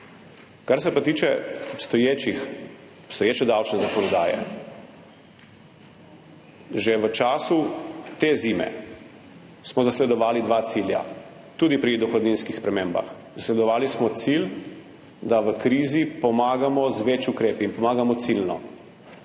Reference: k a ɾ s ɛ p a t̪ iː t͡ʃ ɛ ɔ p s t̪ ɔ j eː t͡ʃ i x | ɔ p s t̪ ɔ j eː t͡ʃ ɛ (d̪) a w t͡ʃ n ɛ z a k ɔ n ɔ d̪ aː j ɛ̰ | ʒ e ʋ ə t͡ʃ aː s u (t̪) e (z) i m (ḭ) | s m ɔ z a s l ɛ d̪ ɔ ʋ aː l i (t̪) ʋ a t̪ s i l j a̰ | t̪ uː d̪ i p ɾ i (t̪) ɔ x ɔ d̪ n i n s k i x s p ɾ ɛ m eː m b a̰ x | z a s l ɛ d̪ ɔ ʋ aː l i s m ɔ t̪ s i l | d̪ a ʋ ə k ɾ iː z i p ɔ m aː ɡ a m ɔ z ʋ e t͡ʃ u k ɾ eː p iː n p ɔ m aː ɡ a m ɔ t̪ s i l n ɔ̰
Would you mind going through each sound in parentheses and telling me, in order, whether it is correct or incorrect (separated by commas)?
correct, correct, correct, incorrect, incorrect, incorrect